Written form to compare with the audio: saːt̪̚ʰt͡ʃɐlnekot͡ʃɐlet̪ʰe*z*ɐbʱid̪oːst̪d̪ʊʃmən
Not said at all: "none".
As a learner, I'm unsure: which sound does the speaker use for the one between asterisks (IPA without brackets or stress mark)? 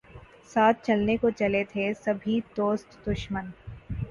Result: s